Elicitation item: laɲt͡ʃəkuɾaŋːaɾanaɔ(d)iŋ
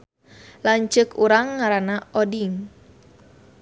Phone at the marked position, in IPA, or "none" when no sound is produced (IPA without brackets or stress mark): d